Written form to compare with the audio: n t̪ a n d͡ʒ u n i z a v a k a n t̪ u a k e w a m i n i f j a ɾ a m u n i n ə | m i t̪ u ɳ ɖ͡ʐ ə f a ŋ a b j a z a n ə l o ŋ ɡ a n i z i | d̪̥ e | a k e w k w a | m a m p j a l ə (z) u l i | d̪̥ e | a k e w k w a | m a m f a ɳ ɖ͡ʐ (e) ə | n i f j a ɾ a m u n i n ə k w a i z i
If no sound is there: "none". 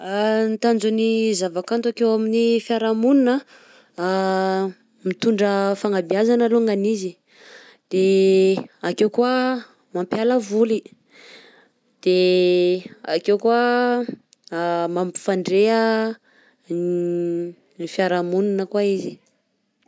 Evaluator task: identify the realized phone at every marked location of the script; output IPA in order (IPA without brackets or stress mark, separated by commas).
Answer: v, e